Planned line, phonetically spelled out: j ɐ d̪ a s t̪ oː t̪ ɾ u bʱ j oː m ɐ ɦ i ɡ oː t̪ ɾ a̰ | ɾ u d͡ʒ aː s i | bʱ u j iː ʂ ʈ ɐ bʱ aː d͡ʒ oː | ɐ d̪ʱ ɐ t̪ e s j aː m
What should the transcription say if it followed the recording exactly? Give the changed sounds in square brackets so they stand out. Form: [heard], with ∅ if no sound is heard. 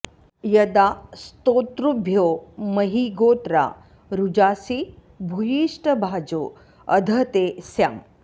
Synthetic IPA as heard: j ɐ d̪ a s t̪ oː t̪ ɾ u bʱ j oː m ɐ ɦ i ɡ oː t̪ ɾ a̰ | ɾ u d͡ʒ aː s i | bʱ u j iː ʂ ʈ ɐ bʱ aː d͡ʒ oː | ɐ d̪ʱ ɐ t̪ e s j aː m